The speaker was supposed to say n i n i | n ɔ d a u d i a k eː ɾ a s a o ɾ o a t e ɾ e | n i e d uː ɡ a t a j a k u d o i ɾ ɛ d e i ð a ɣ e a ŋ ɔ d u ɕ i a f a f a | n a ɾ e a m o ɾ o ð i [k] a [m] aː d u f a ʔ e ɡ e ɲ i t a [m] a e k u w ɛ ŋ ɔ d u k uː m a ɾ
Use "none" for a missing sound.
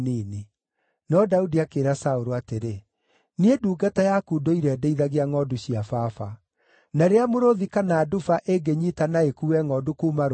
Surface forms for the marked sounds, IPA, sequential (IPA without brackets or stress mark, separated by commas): k, n, n